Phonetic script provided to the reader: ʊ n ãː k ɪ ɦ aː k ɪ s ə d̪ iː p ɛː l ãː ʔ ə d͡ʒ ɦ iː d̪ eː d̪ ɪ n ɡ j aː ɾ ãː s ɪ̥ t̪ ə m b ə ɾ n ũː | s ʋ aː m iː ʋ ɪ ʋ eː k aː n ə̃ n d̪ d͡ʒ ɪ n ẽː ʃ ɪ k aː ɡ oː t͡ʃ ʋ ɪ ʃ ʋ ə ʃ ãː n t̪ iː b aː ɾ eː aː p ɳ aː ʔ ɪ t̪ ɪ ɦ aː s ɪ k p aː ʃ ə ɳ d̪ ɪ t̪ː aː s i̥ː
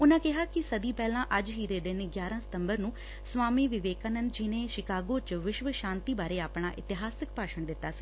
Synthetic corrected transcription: ʊ n ãː k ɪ ɦ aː k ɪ s ə d̪ iː p ɛː l ãː ʔ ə d͡ʒ ɦ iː d̪ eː d̪ ɪ n ɡ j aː ɾ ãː s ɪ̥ t̪ ə m b ə ɾ n ũː | s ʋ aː m iː ʋ ɪ ʋ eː k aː n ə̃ n d̪ d͡ʒ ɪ n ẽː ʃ ɪ k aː ɡ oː t͡ʃ ʋ ɪ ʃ ʋ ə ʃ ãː n t̪ iː b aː ɾ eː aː p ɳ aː ʔ ɪ t̪ ɪ ɦ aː s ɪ k p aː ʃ ə ɳ d̪ ɪ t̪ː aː s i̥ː